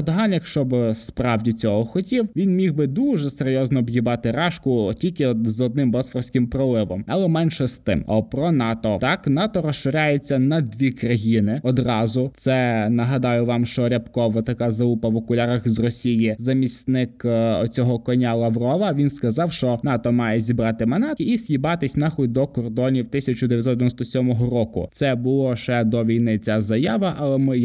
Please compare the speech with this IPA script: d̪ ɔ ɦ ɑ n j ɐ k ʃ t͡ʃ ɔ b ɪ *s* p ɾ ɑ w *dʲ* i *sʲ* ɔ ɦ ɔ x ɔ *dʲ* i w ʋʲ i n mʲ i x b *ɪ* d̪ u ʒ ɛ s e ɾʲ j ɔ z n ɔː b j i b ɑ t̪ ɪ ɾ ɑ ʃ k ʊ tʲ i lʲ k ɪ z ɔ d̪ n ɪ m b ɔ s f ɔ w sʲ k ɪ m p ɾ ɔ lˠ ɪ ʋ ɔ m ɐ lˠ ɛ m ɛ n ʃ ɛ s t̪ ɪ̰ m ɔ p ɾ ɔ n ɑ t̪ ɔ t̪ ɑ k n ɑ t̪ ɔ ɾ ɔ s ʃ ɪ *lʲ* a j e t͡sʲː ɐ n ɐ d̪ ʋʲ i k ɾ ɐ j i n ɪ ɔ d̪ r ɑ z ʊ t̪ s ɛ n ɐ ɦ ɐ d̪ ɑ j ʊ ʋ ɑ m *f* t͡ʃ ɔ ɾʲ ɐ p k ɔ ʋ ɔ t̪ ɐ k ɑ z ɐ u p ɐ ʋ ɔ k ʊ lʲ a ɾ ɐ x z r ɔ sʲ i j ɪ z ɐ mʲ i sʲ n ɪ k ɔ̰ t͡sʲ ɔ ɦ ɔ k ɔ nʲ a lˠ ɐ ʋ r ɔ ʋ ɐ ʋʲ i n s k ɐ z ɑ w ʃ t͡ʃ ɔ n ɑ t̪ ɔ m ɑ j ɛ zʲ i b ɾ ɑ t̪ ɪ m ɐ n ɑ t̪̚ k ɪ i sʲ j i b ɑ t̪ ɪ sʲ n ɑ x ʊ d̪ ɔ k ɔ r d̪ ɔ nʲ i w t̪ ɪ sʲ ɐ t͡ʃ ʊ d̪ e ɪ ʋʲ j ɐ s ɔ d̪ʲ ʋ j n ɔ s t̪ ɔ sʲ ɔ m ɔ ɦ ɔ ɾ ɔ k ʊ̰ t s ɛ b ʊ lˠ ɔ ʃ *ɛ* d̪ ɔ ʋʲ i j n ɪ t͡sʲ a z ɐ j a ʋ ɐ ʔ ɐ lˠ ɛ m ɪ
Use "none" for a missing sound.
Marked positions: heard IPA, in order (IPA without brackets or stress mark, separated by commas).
s, dʲ, t͡sʲ, tʲ, ɪ, ɾʲ, ʃ, ɛ